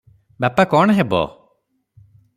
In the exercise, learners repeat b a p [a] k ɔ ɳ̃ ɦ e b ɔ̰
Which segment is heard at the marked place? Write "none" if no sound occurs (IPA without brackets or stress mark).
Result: a